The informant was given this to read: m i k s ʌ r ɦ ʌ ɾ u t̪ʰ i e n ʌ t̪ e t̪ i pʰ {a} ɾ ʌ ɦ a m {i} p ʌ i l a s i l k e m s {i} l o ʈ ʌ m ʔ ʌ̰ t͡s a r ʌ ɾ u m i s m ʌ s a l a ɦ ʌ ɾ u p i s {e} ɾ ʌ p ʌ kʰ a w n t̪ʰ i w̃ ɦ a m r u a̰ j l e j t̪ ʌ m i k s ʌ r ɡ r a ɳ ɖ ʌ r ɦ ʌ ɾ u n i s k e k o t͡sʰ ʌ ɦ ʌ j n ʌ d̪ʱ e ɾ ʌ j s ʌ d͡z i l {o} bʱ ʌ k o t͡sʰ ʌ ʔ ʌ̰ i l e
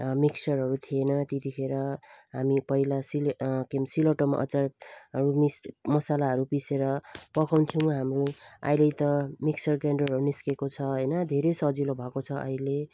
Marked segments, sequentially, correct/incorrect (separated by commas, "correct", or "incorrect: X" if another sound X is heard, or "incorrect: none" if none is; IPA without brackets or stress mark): incorrect: e, correct, correct, correct, correct